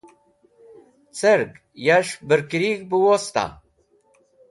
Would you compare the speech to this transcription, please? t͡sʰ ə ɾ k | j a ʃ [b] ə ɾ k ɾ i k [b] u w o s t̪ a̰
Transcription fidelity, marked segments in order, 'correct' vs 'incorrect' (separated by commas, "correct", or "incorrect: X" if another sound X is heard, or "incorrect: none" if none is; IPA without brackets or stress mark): correct, correct